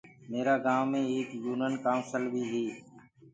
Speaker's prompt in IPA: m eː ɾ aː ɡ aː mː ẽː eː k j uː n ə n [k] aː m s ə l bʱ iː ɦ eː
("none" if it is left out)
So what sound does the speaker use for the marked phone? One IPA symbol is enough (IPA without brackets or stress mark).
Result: k